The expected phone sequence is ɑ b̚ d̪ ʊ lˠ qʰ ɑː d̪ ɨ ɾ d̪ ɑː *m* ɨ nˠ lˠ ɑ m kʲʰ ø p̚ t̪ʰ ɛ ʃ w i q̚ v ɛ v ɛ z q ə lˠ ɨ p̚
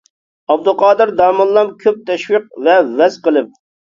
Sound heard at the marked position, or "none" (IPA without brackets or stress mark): m